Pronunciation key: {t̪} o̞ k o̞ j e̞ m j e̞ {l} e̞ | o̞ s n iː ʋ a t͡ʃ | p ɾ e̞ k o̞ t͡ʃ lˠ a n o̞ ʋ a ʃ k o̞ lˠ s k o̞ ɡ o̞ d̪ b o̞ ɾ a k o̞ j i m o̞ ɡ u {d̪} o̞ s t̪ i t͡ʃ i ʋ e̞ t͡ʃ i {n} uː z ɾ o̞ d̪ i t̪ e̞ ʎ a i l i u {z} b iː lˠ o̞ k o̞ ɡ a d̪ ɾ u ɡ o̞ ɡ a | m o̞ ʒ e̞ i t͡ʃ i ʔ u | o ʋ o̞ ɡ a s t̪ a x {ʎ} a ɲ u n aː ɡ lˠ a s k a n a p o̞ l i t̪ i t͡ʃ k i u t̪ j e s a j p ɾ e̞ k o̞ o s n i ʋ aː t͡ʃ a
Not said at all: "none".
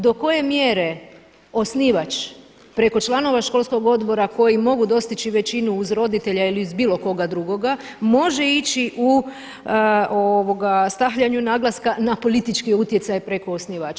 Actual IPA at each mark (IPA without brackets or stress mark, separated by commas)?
d̪, ɾ, d̪, n, z, ʎ